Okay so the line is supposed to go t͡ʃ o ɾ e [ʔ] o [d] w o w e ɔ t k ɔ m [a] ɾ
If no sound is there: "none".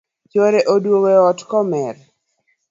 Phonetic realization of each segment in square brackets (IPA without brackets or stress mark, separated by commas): ʔ, d, ɛ